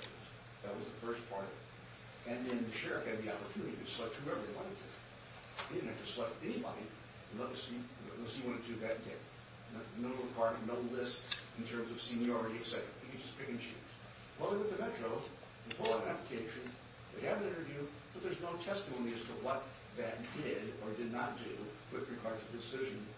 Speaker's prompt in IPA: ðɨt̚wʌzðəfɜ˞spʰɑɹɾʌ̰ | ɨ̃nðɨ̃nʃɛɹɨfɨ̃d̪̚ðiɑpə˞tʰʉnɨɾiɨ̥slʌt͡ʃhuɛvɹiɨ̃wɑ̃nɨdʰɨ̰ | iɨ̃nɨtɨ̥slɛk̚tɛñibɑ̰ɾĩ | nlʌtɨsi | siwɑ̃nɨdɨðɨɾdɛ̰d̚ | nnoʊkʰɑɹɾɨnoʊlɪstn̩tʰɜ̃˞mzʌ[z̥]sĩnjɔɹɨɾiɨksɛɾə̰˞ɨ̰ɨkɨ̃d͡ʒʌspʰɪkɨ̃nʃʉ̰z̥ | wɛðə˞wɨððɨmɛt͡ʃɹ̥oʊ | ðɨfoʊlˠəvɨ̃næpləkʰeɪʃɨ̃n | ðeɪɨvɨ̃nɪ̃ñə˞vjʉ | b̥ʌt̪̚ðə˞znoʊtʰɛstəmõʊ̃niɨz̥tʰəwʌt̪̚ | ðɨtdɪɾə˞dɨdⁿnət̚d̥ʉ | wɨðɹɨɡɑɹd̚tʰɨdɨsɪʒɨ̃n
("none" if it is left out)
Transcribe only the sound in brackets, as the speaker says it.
v̥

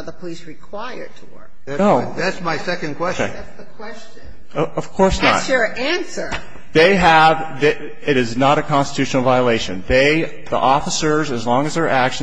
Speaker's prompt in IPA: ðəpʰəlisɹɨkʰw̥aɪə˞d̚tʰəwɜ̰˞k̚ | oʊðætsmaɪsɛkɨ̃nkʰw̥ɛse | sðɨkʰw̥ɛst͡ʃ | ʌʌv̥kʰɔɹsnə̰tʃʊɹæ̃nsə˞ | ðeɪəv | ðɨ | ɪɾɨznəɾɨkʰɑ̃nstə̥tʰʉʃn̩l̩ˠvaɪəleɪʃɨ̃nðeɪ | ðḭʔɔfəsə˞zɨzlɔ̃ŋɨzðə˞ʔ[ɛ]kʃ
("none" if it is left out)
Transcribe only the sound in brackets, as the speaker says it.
æ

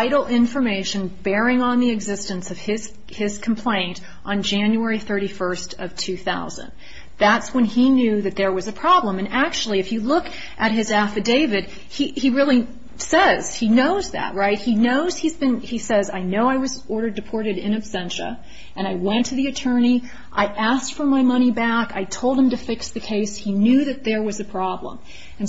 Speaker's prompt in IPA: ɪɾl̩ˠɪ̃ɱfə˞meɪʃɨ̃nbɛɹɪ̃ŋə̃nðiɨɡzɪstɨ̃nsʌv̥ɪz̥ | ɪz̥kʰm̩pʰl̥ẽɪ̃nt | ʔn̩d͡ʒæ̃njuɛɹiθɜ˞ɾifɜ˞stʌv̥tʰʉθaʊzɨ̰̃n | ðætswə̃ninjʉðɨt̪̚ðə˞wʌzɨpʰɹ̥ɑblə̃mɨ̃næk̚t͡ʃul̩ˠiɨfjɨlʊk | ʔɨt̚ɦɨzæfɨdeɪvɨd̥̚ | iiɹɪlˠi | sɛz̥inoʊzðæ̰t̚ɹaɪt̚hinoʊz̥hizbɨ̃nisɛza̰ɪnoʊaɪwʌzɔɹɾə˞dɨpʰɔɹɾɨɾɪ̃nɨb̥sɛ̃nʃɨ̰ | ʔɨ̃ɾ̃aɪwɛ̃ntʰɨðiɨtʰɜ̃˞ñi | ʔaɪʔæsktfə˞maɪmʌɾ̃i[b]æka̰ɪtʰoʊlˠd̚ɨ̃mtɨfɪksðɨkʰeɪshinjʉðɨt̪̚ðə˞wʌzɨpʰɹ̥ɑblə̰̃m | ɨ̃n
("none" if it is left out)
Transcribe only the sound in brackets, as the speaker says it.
b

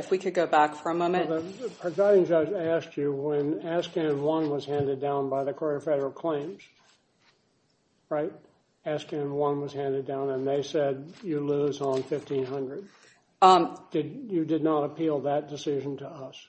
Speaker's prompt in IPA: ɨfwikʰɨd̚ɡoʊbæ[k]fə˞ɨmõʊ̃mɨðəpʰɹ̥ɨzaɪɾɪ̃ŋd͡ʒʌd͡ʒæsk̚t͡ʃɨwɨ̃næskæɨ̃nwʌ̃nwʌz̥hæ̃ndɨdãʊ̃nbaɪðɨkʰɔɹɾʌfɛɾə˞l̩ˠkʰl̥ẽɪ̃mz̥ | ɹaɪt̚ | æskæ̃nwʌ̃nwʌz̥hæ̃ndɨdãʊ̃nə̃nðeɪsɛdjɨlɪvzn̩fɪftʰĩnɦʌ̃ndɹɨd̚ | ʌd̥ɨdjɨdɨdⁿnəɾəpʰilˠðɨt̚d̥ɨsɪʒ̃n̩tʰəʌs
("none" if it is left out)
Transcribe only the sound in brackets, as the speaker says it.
k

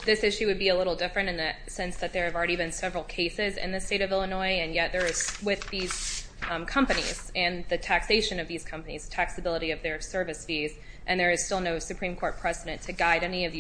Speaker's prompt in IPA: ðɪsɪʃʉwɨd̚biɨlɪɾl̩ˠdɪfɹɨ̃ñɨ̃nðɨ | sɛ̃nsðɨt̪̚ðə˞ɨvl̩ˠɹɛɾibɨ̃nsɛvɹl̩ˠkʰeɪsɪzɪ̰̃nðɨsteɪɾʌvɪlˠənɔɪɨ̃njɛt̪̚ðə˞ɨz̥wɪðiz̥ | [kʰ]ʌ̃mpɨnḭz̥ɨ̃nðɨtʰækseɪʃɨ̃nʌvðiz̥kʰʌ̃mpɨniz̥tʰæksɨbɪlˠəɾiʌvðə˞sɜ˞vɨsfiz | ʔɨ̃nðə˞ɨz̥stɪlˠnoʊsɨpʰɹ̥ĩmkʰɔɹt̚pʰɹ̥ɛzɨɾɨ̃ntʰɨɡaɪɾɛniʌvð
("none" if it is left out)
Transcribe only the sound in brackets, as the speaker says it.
kʰ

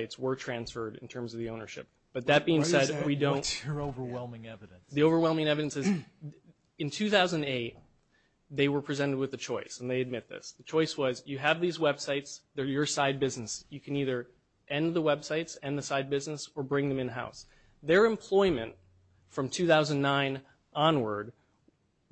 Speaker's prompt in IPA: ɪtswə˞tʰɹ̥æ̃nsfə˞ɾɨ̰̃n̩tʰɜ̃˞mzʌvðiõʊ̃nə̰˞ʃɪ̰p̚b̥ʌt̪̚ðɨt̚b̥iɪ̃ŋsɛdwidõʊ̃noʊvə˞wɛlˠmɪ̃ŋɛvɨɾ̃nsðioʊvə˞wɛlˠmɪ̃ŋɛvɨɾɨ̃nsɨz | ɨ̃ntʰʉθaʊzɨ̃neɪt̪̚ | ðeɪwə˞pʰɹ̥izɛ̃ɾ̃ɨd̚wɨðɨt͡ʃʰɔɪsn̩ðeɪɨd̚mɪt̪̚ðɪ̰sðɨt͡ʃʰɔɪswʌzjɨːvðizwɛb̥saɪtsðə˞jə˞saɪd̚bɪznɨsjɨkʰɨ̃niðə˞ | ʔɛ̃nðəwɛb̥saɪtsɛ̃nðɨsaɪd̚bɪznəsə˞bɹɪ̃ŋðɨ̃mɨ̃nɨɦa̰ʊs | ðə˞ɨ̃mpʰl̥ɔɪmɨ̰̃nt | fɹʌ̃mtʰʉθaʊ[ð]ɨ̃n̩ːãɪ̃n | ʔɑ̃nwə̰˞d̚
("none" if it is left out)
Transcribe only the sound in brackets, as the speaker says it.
z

